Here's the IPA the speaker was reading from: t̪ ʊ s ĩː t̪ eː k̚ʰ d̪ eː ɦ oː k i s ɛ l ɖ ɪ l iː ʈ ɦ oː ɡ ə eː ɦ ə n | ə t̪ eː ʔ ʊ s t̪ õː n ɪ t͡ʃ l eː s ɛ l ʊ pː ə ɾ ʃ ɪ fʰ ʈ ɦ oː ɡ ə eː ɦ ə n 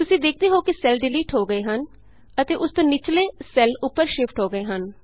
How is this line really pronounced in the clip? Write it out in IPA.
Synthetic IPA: t̪ ʊ s ĩː d̪ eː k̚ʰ d̪ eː ɦ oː k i s ɛ l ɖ ɪ l iː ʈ ɦ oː ɡ ə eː ɦ ə n | ə t̪ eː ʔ ʊ s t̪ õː n ɪ t͡ʃ l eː s ɛ l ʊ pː ə ɾ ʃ ɪ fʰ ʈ ɦ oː ɡ ə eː ɦ ə n